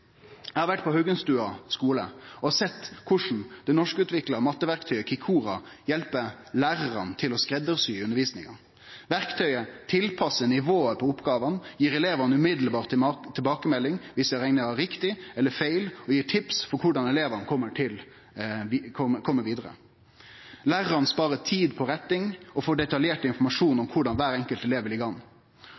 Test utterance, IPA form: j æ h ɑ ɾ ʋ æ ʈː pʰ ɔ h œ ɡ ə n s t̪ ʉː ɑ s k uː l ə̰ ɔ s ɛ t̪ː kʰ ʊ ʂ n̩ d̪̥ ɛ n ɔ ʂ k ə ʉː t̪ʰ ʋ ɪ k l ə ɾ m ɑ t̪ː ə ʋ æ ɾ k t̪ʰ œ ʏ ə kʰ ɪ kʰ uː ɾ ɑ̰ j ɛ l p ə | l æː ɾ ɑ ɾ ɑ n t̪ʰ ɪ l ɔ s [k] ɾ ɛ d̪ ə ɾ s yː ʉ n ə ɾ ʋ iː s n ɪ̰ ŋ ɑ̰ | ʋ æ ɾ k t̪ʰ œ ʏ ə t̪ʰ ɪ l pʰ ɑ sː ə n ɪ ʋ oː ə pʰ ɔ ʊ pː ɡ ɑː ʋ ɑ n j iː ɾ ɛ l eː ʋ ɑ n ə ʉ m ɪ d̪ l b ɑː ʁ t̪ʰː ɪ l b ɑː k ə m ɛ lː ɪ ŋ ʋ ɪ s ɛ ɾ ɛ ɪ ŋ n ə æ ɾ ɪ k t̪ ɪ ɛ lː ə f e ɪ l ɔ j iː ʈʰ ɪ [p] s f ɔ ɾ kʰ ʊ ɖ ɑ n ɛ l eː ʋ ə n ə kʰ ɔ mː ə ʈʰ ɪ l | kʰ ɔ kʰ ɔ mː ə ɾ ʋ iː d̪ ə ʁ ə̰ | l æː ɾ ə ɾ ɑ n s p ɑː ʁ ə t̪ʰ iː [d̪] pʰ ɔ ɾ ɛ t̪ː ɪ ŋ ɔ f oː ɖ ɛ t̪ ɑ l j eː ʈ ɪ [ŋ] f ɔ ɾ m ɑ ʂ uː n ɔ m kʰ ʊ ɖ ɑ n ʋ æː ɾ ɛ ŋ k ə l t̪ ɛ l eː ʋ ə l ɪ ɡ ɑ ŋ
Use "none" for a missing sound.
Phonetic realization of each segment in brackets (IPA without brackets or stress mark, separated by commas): k, p, d̪, n